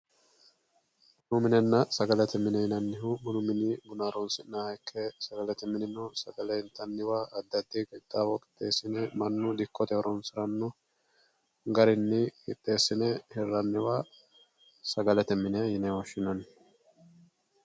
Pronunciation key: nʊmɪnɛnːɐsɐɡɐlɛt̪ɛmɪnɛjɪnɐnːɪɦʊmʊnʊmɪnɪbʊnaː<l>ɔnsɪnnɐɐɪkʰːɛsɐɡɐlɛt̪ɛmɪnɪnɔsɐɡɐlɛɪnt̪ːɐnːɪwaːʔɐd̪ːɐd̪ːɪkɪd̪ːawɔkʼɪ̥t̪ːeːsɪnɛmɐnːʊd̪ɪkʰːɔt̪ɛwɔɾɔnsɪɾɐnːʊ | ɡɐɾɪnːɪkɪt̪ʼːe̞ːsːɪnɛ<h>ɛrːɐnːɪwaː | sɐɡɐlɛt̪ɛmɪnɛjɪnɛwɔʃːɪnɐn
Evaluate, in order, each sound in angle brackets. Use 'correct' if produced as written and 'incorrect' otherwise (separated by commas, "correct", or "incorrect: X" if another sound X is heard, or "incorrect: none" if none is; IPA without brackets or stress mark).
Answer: incorrect: ɾ, correct